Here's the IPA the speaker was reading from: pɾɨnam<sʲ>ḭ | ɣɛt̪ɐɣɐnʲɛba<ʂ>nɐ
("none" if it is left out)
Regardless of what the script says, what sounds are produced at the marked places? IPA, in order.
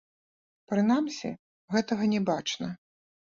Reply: sʲ, t͡ʂ

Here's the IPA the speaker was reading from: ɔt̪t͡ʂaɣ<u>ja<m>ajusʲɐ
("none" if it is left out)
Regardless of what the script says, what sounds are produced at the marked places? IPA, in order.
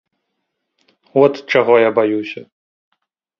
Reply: ɔ, b

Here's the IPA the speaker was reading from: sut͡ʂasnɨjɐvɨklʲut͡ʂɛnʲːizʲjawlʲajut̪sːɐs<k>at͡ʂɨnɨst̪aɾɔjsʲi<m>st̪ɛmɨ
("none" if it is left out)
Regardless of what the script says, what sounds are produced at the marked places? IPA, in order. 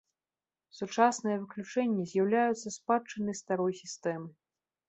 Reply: p, none

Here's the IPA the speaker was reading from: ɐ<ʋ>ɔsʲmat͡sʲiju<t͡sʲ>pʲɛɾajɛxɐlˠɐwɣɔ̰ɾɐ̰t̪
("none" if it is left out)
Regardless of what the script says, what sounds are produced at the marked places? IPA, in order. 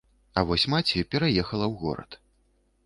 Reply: v, none

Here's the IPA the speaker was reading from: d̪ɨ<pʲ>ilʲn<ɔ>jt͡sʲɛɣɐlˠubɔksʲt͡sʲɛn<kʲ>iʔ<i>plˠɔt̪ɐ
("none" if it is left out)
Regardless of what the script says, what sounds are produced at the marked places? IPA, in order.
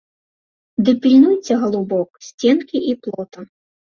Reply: pʲ, u, kʲ, i

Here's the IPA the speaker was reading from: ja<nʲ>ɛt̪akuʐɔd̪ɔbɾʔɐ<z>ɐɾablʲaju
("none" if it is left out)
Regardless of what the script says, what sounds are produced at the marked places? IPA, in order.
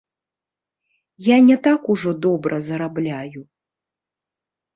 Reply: nʲ, z

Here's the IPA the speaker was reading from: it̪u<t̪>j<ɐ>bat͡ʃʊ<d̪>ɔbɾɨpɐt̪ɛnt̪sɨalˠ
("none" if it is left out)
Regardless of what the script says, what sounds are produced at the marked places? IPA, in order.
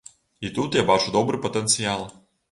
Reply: t̪, a, d̪

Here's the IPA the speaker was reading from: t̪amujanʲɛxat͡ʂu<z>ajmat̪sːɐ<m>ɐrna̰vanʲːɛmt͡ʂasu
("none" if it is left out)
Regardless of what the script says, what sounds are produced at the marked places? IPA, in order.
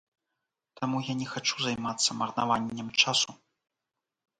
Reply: z, m

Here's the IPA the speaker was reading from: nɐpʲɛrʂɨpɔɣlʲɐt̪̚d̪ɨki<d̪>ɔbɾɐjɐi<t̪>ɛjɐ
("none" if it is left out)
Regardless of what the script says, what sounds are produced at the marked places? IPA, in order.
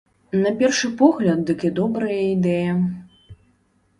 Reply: d̪, d̪

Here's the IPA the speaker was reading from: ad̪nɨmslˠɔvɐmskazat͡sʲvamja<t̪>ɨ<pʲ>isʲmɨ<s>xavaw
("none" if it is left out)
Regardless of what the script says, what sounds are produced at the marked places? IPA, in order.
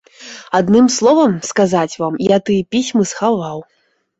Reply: t̪, pʲ, s

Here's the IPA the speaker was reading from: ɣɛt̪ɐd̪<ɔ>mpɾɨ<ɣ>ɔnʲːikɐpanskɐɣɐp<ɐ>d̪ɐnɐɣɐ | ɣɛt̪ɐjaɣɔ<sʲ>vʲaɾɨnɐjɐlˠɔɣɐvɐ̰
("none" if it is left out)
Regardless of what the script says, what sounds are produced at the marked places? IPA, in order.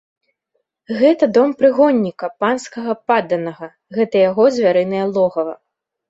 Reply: ɔ, ɣ, a, zʲ

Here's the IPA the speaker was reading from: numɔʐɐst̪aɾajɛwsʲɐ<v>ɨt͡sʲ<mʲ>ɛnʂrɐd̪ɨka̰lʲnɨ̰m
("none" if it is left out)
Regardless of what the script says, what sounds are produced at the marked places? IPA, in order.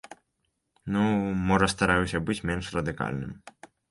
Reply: b, mʲ

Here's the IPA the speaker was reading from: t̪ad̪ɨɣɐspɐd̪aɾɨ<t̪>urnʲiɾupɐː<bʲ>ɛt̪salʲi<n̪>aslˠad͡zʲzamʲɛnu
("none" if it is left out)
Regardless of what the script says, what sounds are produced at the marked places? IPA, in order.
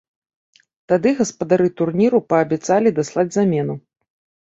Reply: t̪, bʲ, d̪

